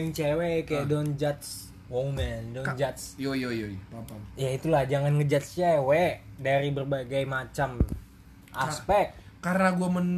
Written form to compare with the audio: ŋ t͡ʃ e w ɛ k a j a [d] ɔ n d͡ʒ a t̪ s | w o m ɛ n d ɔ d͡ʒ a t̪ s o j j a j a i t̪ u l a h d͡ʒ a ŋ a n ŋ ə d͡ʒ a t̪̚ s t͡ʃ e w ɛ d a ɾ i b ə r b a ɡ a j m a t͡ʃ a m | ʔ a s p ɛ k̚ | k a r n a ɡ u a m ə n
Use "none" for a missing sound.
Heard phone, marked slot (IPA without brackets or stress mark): d